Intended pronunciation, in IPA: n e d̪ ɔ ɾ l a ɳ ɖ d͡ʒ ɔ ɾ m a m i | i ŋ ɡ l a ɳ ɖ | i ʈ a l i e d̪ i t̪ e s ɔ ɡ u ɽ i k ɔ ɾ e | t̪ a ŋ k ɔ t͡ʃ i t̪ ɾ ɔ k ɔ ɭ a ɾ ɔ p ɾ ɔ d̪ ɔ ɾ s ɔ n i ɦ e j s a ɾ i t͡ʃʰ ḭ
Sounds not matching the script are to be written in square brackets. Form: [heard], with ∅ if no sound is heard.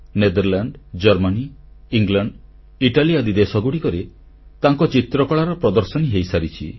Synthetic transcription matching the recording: n e d̪ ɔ ɾ l a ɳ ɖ d͡ʒ ɔ ɾ m a [n] i | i ŋ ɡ l a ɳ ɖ | i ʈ a l i [a] d̪ i [d̪] e s ɔ ɡ u ɽ i k ɔ ɾ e | t̪ a ŋ k ɔ t͡ʃ i t̪ ɾ ɔ k ɔ ɭ a ɾ ɔ p ɾ ɔ d̪ ɔ ɾ s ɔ n i ɦ e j s a ɾ i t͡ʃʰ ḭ